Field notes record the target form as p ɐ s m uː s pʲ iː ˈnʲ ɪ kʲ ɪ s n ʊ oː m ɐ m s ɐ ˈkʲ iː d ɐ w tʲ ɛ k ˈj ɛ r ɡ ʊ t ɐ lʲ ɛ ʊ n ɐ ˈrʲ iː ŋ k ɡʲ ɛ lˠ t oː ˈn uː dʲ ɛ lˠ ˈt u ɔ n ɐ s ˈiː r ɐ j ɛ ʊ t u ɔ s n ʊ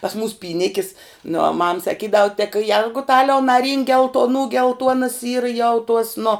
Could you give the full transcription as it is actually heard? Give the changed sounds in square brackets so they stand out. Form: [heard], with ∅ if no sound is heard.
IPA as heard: p ɐ s m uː s pʲ iː ˈnʲ ɪ kʲ ɪ s n ʊ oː m ɐ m s ɐ ˈkʲ iː d ɐ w tʲ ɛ k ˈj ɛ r ɡ ʊ t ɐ lʲ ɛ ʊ n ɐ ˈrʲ iː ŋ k ɡʲ ɛ lˠ t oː ˈn uː [ɡʲ] ɛ lˠ ˈt u ɔ n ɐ s ˈiː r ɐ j ɛ ʊ t u ɔ s n ʊ

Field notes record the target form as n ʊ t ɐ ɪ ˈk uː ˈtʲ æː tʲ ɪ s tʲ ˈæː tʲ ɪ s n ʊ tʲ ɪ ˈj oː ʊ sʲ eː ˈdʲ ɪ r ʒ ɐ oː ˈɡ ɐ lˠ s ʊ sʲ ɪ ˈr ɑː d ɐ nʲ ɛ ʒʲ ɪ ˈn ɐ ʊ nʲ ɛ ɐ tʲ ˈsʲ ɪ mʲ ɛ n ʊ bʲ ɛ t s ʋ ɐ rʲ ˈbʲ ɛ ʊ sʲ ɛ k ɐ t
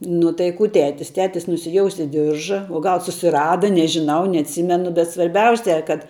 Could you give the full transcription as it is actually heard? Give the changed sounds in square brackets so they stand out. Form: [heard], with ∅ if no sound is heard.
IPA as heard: n ʊ t ɐ ɪ ˈk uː ˈtʲ æː tʲ ɪ s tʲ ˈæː tʲ ɪ s n ʊ [sʲ] ɪ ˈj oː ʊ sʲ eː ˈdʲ ɪ r ʒ ɐ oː ˈɡ ɐ lˠ s ʊ sʲ ɪ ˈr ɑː d ɐ nʲ ɛ ʒʲ ɪ ˈn ɐ ʊ nʲ ɛ ɐ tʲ ˈsʲ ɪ mʲ ɛ n ʊ bʲ ɛ t s ʋ ɐ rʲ ˈbʲ ɛ ʊ sʲ ɛ k ɐ t

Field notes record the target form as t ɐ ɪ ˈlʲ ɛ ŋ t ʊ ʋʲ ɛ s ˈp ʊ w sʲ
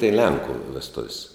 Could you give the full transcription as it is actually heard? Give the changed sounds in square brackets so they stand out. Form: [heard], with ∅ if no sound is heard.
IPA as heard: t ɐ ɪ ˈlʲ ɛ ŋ [k] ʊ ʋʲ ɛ s [ˈt] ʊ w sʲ

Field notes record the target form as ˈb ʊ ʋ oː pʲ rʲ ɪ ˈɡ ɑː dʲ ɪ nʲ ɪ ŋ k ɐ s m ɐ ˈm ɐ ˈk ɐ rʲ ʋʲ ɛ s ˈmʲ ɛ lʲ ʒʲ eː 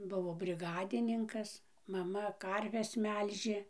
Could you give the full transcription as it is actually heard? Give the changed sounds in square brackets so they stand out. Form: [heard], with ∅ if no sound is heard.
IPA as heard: ˈb ʊ ʋ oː [bʲ] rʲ ɪ ˈɡ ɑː dʲ ɪ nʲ ɪ ŋ k ɐ s m ɐ ˈm ɐ ˈk ɐ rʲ ʋʲ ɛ s ˈmʲ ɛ lʲ ʒʲ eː

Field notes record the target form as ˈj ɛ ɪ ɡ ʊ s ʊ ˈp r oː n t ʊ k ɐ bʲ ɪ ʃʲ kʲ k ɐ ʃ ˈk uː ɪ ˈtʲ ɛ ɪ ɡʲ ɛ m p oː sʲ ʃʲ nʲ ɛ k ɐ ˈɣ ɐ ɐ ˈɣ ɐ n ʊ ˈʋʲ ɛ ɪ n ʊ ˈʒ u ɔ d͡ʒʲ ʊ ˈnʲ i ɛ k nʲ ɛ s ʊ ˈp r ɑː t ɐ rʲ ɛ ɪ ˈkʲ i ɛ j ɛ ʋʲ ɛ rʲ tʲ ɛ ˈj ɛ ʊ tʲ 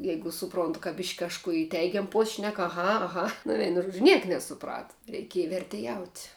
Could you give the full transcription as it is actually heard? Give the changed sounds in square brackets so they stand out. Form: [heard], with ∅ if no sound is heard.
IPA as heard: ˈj ɛ ɪ ɡ ʊ s ʊ ˈp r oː n t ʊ k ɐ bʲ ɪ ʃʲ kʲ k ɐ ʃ ˈk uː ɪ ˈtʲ ɛ ɪ ɡʲ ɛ m p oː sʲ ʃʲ nʲ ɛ k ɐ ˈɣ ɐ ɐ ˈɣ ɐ n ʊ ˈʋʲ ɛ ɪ n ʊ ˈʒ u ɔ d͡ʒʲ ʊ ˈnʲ i ɛ k nʲ ɛ s ʊ ˈp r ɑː t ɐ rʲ ɛ ɪ ˈkʲ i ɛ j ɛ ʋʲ ɛ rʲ tʲ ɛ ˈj ɛ ʊ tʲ

